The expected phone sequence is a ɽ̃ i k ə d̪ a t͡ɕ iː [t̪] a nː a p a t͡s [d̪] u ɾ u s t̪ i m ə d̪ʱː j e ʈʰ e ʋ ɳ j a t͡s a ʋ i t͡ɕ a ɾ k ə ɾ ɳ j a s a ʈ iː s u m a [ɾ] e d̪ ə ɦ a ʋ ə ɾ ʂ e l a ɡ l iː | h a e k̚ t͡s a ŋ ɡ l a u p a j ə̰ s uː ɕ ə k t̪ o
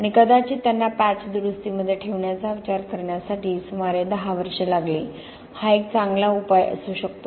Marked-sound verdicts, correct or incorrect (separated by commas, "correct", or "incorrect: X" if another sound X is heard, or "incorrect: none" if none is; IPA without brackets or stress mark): correct, correct, correct